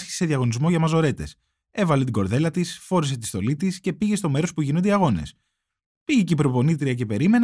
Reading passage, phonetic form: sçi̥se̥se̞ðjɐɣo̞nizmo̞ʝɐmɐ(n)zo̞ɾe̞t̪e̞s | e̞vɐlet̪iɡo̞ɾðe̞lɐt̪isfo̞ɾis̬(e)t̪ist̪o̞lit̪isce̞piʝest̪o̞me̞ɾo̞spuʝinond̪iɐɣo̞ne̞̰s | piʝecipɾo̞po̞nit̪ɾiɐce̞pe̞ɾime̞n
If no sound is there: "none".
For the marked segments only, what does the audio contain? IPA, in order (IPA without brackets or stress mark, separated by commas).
none, e